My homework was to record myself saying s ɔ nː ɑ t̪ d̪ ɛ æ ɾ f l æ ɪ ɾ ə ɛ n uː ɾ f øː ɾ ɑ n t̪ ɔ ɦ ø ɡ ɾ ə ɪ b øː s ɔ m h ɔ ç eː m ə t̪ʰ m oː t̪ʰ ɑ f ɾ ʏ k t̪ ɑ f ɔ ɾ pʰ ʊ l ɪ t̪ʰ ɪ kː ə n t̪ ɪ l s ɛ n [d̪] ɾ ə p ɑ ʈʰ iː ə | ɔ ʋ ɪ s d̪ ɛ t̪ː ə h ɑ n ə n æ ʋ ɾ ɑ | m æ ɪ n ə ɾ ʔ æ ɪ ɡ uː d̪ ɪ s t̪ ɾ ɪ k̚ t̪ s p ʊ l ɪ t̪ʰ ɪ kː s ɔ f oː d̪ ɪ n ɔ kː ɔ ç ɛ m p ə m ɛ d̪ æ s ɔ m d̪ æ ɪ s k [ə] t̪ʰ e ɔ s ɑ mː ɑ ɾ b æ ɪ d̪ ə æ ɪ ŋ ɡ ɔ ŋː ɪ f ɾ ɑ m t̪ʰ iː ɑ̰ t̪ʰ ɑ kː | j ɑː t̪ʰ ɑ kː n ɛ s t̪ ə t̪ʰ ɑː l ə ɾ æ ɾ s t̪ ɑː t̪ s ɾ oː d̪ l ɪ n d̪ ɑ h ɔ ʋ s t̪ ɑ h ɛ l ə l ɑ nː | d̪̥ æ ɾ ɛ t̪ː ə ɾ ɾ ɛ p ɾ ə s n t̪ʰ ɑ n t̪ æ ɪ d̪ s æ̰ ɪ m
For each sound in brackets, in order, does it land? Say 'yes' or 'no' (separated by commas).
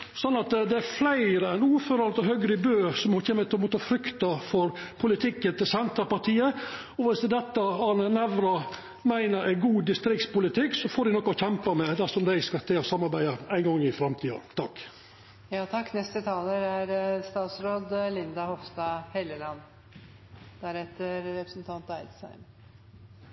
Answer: no, no